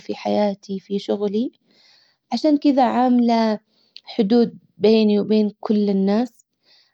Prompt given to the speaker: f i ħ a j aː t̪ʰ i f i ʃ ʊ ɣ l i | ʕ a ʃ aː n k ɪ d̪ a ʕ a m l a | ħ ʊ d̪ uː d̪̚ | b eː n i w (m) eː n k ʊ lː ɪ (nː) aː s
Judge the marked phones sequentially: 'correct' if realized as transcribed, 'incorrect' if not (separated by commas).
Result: incorrect, correct